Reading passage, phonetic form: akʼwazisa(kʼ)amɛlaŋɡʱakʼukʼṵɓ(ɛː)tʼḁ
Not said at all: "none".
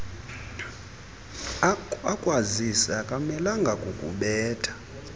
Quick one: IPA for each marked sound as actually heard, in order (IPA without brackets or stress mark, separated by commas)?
kʼ, ɛː